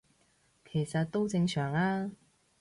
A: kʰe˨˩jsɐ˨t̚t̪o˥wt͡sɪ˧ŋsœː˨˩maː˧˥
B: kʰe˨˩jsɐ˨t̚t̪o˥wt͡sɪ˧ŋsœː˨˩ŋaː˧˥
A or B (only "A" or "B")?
B